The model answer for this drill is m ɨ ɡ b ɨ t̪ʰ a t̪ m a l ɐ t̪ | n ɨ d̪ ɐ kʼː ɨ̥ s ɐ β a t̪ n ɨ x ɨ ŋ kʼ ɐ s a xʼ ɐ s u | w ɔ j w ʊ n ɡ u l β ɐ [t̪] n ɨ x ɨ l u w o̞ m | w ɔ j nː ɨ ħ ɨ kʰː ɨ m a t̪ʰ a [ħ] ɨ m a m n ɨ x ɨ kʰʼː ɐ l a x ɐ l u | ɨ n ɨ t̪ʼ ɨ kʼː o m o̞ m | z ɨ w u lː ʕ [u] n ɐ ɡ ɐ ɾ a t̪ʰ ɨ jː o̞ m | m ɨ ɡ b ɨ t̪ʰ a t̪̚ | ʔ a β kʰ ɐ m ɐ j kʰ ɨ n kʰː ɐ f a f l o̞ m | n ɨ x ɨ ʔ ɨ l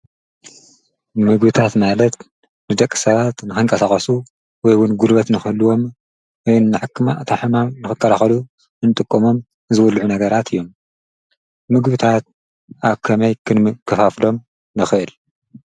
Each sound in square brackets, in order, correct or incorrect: correct, correct, correct

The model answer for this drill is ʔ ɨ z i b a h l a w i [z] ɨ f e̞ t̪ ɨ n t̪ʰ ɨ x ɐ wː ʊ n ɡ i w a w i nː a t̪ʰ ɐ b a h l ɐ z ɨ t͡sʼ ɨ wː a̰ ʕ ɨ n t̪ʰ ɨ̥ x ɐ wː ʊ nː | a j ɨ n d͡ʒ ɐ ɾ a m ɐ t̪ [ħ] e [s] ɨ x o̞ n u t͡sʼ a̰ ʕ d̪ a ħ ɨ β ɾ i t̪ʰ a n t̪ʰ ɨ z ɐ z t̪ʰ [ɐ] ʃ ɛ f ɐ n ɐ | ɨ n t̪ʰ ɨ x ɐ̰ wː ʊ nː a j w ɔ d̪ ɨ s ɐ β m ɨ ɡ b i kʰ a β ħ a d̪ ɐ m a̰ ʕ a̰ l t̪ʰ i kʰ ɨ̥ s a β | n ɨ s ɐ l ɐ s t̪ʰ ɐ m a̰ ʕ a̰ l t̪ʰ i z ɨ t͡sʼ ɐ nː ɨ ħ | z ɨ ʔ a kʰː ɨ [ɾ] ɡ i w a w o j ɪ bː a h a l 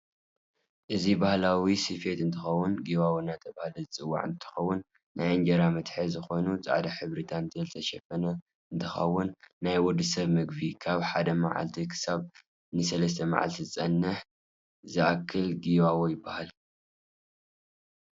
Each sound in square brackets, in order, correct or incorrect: incorrect: s, correct, incorrect: z, correct, incorrect: l

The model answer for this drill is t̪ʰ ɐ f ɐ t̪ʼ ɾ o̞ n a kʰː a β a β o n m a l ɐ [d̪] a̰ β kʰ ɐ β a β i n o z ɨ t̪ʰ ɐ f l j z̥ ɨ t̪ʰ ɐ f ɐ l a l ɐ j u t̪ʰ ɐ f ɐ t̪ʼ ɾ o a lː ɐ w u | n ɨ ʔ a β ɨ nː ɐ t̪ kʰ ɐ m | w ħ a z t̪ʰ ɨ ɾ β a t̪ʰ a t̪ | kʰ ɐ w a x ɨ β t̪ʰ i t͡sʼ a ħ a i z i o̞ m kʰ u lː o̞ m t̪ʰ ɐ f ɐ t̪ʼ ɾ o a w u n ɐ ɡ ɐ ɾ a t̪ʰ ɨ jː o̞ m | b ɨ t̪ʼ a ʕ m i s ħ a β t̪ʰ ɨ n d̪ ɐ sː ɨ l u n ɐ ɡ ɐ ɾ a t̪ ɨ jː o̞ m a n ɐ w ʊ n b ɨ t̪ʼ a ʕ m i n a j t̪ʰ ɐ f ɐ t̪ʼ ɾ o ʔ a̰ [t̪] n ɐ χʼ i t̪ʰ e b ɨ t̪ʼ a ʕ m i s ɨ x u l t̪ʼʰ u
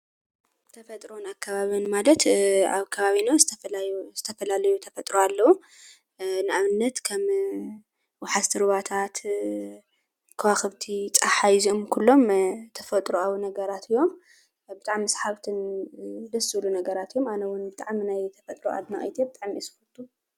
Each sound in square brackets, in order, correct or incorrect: incorrect: t̪, incorrect: d̪

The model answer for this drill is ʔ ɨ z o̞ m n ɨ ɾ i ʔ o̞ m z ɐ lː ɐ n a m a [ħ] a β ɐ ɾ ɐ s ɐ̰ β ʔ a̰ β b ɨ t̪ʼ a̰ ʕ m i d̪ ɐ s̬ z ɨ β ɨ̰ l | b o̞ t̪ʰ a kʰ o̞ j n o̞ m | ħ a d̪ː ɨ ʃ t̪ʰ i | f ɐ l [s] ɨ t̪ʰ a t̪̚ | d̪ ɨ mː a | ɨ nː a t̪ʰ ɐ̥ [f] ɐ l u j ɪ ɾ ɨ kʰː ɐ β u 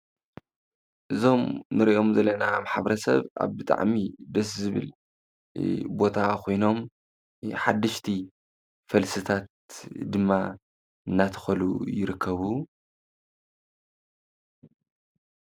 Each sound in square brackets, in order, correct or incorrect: correct, correct, incorrect: x

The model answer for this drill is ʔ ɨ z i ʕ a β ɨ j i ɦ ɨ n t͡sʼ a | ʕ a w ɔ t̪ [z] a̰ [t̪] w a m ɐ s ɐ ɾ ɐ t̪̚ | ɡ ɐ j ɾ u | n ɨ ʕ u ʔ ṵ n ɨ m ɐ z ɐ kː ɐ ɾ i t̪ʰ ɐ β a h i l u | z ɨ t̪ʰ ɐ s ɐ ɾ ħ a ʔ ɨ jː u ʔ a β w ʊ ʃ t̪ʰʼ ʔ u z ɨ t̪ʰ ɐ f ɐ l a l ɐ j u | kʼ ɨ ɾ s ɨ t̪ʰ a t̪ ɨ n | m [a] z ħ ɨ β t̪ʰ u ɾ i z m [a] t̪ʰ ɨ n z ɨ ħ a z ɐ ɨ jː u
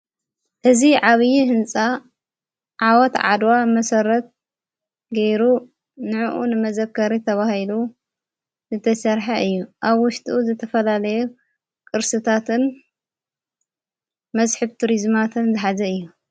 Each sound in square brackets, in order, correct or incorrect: incorrect: ʕ, incorrect: d̪, incorrect: ɐ, correct

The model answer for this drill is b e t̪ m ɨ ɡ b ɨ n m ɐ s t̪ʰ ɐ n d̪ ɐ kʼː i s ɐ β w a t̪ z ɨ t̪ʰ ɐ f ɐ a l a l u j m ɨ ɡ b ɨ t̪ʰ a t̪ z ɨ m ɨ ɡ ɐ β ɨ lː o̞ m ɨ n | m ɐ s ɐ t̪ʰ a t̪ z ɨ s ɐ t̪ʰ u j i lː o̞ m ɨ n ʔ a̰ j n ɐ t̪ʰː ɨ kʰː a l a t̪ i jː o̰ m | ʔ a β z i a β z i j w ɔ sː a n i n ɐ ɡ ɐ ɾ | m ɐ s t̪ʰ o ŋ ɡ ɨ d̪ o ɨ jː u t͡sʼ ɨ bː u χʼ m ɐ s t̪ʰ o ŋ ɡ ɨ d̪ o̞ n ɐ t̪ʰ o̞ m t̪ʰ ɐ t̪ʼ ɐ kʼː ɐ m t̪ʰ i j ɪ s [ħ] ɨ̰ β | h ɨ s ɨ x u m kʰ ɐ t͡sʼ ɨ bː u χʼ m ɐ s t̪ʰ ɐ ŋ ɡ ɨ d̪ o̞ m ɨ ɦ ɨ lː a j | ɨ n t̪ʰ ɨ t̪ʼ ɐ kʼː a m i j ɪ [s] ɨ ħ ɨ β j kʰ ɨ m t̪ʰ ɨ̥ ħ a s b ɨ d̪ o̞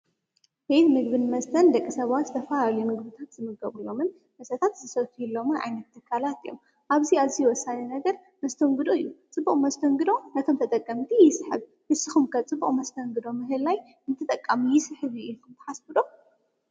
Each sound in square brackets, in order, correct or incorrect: correct, correct

